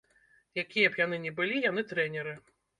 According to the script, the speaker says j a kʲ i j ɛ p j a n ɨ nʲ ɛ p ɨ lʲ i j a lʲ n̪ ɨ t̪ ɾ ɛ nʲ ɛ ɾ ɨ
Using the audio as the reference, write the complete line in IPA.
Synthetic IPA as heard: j a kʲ i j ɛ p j a n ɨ nʲ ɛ b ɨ lʲ i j a n̪ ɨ t̪ ɾ ɛ nʲ ɛ ɾ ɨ